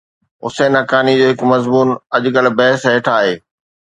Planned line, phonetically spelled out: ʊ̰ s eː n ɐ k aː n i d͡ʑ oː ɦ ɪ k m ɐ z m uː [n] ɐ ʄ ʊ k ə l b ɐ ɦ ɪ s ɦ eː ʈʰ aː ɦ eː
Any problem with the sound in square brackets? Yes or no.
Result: no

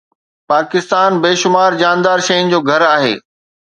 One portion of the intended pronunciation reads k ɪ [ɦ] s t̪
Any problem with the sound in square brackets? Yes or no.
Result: yes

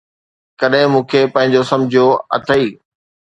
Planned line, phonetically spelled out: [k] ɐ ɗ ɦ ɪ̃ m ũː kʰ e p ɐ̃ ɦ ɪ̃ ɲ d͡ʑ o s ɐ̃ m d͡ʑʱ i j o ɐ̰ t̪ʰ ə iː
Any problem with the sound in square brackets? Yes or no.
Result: no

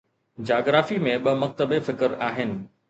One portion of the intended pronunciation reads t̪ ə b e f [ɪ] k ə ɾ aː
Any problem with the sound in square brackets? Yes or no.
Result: no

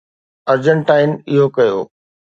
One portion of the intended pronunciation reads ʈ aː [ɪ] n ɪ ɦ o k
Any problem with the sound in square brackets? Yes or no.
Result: no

